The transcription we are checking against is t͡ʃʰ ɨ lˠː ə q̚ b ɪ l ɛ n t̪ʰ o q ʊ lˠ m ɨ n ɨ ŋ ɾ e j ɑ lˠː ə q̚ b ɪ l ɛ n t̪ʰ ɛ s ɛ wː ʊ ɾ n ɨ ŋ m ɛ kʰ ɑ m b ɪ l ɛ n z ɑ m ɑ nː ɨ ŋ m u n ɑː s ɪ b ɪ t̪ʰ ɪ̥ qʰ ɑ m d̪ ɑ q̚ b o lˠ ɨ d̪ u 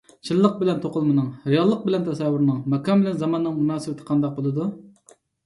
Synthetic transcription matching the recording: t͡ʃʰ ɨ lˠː ə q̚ b ɪ l ɛ n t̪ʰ o q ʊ lˠ m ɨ n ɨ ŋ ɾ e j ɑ lˠː ə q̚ b ɪ l ɛ n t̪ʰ ɛ s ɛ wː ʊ ɾ n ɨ ŋ m ɛ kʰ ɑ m b ɪ l ɛ n z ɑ m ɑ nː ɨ ŋ m u n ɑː s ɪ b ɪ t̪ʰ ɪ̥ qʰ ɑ n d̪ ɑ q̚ b o lˠ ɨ d̪ u